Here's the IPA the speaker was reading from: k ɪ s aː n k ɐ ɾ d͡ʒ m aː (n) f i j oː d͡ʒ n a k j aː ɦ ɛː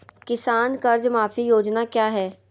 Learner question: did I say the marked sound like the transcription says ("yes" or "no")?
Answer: no